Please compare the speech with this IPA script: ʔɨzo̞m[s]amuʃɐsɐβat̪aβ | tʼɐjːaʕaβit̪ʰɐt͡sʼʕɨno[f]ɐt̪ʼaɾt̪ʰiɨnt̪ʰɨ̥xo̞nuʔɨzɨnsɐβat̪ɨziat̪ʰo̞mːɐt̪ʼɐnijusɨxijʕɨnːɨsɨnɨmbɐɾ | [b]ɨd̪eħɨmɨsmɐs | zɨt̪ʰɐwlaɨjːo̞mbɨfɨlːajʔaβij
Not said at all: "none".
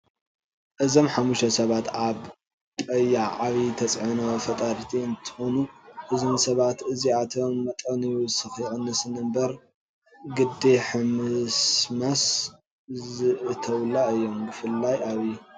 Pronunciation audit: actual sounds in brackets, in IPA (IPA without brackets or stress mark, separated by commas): ħ, f, ɡ